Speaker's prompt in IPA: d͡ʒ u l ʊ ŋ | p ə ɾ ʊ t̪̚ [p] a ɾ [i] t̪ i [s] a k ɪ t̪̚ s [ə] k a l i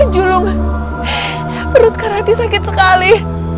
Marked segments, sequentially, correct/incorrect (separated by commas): incorrect, incorrect, correct, correct